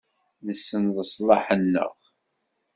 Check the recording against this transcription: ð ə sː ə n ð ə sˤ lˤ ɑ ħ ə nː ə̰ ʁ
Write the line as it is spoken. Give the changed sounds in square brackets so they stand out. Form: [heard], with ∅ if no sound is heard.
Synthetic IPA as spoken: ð ə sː ə n ð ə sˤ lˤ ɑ ħ ə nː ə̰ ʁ